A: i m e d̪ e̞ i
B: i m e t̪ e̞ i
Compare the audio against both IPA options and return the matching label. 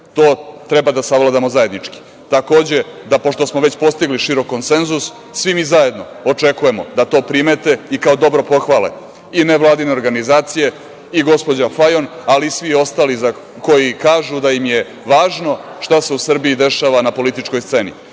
B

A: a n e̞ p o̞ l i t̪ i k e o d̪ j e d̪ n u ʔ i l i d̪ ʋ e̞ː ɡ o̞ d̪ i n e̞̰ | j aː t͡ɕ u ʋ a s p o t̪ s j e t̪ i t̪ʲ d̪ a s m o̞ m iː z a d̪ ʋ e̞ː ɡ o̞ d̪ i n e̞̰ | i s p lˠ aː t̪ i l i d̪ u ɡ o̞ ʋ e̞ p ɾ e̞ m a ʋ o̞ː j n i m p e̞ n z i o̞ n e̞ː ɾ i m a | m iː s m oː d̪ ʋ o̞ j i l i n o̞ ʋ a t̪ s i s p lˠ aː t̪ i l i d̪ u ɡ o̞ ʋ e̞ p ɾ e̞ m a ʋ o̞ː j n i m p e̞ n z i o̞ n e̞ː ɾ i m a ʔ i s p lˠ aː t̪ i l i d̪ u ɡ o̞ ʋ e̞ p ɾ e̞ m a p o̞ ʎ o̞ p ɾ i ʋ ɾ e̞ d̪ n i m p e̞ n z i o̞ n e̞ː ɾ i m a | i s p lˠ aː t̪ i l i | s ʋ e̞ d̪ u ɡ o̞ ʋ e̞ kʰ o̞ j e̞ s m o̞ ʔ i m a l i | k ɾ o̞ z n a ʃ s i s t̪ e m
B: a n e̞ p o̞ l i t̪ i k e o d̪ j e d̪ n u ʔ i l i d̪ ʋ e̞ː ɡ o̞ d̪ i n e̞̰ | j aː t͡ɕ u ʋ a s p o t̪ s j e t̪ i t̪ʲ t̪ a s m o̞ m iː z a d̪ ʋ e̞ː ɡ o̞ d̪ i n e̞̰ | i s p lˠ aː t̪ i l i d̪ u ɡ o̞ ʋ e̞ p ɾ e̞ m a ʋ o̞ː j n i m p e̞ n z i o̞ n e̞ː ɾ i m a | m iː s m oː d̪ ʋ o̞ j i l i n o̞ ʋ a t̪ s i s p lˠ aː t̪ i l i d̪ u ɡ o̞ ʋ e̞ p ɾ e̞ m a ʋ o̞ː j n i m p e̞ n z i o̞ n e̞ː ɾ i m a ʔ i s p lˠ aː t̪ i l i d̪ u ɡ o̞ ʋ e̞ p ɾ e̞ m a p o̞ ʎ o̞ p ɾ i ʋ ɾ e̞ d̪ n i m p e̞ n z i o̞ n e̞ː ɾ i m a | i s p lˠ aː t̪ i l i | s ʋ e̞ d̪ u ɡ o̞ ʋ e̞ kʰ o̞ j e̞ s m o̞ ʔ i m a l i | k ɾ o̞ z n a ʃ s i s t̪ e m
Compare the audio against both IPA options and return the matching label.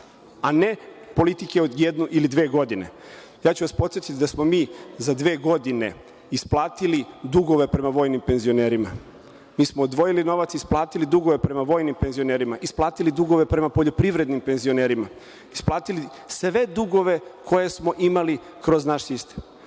A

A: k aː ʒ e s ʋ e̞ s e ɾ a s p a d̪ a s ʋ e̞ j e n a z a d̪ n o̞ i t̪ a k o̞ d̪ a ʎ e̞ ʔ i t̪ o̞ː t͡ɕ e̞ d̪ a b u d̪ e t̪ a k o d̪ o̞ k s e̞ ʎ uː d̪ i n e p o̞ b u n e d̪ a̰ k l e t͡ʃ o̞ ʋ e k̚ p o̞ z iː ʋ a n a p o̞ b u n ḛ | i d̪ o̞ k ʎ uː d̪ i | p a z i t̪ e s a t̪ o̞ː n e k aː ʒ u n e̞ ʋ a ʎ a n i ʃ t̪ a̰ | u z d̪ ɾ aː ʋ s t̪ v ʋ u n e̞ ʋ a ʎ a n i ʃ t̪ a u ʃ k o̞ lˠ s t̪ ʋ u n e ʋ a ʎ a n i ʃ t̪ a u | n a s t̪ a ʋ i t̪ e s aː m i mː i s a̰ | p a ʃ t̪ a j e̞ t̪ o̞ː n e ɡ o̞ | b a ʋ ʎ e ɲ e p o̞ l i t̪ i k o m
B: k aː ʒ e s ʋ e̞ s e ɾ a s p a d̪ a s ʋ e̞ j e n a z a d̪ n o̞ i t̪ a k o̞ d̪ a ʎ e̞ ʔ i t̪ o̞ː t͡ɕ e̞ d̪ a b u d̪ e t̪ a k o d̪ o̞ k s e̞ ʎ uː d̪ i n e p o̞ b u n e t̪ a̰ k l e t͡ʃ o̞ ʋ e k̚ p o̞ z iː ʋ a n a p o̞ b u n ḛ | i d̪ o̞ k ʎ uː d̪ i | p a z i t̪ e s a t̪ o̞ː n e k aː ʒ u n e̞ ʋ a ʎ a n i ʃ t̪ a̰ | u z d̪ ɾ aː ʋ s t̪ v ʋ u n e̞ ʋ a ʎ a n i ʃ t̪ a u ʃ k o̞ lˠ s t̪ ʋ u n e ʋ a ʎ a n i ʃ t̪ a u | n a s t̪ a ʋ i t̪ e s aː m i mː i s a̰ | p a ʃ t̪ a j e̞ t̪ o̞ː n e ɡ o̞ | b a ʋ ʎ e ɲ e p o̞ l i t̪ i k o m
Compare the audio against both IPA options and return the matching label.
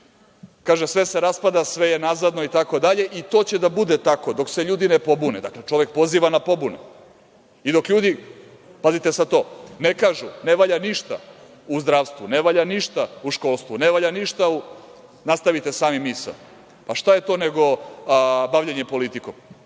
A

